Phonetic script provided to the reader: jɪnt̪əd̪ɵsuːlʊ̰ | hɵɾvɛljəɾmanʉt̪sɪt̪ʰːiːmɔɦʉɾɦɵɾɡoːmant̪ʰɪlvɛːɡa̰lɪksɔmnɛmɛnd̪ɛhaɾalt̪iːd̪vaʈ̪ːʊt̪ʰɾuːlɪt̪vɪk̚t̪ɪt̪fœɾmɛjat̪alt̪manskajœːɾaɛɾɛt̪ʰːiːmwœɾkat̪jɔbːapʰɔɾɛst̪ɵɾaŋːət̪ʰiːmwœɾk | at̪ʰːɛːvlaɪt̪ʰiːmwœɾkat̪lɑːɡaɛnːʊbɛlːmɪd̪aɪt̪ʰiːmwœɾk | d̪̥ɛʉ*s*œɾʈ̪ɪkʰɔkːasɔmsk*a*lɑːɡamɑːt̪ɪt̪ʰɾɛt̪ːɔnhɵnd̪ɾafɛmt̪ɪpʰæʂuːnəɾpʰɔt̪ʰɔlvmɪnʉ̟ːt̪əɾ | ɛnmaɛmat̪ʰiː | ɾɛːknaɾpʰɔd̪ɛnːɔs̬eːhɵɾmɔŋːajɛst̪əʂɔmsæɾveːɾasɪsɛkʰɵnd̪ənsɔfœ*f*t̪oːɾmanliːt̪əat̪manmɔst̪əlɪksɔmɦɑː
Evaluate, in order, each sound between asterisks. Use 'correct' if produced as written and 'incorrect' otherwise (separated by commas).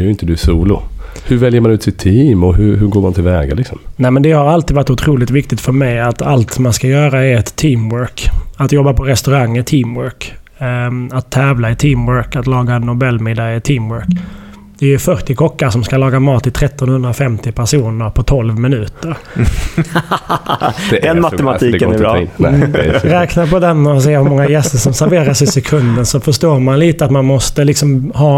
incorrect, correct, incorrect